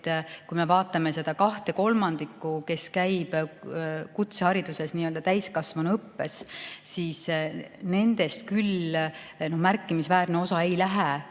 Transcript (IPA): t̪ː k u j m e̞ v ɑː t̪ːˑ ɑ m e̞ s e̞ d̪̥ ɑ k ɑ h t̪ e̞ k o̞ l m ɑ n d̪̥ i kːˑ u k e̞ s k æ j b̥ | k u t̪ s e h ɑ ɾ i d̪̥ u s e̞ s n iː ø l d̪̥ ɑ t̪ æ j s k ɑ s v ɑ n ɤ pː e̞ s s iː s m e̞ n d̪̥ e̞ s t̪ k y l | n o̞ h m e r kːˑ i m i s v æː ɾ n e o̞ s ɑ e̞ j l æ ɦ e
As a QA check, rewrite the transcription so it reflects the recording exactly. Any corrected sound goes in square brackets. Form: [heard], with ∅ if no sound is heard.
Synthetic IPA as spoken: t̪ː k u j m e̞ v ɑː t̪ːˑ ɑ m e̞ s e̞ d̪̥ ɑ k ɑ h t̪ e̞ k o̞ l m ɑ n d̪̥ i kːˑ u k e̞ s k æ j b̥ | k u t̪ s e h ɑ ɾ i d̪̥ u s e̞ s n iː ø l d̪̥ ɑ t̪ æ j s k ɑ s v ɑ n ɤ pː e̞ s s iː s [n] e̞ n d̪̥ e̞ s t̪ k y l | n o̞ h m [æ] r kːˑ i m i s v æː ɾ n e o̞ s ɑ e̞ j l æ ɦ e